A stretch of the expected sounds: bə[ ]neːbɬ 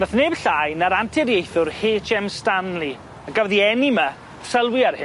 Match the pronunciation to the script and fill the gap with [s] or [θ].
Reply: θ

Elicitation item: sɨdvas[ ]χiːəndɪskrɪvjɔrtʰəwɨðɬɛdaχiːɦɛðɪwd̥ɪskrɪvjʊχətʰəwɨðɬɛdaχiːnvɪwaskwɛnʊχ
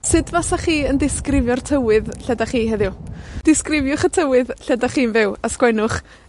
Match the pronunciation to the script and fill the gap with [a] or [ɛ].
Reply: a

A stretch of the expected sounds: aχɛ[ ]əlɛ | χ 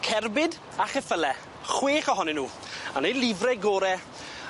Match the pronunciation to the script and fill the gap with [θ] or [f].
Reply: f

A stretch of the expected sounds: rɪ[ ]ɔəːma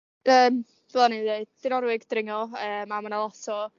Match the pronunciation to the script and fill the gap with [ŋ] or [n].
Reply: ŋ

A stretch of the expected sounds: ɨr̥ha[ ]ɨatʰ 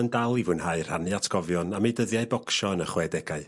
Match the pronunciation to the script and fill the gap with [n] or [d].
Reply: n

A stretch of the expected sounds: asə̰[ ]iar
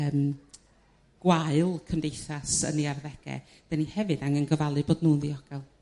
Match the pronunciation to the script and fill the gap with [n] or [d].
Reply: n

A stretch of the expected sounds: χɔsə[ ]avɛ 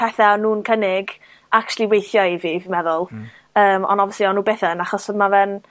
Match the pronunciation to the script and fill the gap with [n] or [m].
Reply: m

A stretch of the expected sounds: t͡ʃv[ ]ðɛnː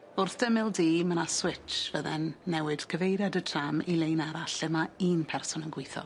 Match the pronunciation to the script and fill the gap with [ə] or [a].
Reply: ə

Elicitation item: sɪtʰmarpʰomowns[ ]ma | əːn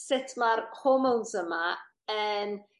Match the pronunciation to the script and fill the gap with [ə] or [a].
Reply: ə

